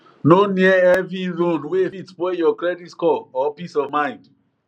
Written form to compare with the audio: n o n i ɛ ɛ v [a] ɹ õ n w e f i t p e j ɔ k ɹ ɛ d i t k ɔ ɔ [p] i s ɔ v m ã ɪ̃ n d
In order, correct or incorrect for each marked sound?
incorrect: i, correct

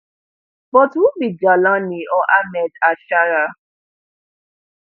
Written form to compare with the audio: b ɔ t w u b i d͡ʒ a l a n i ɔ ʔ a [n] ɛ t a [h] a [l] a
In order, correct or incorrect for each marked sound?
incorrect: m, incorrect: ʃ, incorrect: ɾ

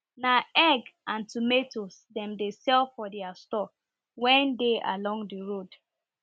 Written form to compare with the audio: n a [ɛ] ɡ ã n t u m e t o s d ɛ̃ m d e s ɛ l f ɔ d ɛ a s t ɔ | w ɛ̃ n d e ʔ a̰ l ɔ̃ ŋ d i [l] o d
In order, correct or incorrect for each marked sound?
correct, incorrect: ɹ

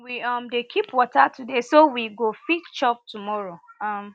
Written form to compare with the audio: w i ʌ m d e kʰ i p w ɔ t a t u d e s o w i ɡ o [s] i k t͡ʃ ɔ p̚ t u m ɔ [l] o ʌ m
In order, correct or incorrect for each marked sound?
incorrect: f, incorrect: ɹ

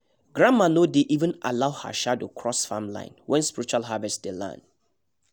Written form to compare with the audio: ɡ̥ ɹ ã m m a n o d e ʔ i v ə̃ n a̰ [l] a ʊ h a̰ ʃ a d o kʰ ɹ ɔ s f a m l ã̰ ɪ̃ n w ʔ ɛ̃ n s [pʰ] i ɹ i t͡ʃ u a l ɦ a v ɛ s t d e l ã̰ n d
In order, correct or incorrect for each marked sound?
correct, incorrect: p

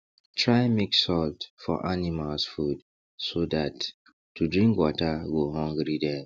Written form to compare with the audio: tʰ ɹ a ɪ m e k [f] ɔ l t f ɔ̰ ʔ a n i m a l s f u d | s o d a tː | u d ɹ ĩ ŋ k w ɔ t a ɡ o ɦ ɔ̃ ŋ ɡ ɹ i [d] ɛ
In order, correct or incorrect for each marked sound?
incorrect: s, correct

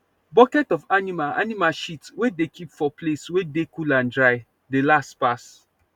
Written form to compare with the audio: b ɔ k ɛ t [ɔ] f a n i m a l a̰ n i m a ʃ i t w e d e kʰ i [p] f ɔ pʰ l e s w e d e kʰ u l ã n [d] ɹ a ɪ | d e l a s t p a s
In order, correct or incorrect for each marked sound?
correct, correct, correct

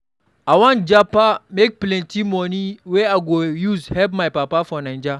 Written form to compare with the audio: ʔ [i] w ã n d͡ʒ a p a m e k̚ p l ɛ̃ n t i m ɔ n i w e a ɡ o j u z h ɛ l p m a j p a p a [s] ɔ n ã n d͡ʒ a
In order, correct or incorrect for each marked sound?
incorrect: a, incorrect: f

